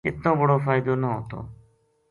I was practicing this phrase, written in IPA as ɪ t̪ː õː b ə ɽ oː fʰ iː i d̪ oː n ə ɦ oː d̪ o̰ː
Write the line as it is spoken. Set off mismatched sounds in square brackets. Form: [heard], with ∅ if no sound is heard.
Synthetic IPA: ɪ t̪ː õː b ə ɽ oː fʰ [aː] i d̪ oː n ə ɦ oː [t̪] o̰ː

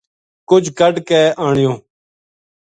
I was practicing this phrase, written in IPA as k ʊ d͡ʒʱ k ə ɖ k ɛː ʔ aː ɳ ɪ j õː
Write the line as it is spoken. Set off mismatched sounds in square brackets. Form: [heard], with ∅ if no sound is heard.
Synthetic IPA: k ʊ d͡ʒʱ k ə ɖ k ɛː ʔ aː ɳ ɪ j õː

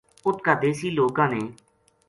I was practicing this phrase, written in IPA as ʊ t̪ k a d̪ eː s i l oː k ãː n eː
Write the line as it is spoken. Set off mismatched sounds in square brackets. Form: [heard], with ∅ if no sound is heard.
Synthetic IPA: ʊ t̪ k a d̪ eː s [iː] l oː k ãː n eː

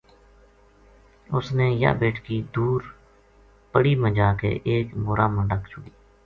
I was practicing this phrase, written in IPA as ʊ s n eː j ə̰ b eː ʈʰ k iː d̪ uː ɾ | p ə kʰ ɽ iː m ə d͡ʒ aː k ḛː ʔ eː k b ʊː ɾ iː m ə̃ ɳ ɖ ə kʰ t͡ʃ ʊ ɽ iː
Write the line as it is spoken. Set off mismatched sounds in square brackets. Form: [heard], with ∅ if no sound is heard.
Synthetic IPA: ʊ s n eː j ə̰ b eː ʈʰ k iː d̪ uː ɾ | p ə [∅] ɽ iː m ə d͡ʒ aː k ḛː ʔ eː k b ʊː ɾ [aː] m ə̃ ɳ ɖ ə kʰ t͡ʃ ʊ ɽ iː

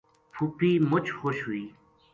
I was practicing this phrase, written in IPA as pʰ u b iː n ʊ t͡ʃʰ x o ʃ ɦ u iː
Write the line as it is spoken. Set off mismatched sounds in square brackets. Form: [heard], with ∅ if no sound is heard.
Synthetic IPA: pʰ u [p] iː [m] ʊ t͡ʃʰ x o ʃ ɦ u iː

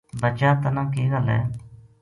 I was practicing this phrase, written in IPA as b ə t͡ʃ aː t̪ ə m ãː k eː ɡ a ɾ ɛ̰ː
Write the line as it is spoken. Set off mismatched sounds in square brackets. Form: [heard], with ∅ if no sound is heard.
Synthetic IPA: b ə t͡ʃ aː t̪ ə [n] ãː k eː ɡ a [l] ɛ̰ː

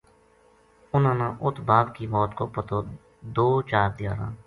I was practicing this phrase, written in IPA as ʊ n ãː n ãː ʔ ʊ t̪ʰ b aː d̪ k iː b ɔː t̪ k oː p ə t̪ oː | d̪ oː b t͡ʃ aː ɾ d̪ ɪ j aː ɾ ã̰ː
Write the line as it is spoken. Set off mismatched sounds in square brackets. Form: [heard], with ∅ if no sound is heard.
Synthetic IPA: ʊ n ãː n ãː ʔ ʊ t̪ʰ b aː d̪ k iː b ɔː t̪ k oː p ə t̪ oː | d̪ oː [∅] t͡ʃ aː ɾ d̪ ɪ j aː ɾ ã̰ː

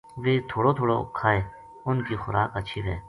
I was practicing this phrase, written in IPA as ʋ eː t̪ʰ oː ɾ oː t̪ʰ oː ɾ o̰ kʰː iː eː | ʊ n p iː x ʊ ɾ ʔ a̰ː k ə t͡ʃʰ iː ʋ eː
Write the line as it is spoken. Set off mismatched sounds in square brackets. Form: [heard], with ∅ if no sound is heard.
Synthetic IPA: ʋ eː t̪ʰ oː [ɽ] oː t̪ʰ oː [ɽ] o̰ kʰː [aː] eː | ʊ n [k] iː x ʊ ɾ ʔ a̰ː k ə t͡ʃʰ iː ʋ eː

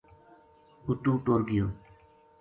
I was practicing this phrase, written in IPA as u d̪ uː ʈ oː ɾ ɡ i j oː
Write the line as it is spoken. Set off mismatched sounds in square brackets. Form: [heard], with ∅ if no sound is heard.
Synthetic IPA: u [t̪] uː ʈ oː ɾ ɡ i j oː

